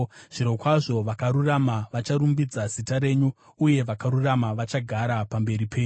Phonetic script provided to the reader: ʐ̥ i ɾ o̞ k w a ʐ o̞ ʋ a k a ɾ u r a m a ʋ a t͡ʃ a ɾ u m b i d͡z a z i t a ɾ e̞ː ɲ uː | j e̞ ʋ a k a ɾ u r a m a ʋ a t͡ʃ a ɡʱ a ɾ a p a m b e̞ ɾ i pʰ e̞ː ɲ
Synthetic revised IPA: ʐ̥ i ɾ o̞ k w a ʐ o̞ ʋ a k a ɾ u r a m a ʋ a t͡ʃ a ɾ u m b i d͡z a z i t a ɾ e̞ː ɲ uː | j e̞ ʋ a k a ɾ u r a m a ʋ a t͡ʃ a ɡʱ a ɾ a p a m b e̞ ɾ i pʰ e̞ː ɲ